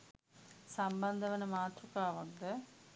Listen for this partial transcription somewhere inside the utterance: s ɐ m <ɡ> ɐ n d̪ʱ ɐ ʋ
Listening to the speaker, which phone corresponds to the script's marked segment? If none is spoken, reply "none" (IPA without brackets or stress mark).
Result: b